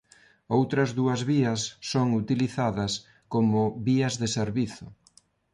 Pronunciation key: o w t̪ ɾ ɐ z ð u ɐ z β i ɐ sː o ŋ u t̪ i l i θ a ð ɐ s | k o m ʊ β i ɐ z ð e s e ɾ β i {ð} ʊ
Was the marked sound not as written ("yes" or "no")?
yes